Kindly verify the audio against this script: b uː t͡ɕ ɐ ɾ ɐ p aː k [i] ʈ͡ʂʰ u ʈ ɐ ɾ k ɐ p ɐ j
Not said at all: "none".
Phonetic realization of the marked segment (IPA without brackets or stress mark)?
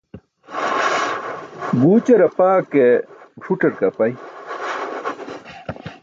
e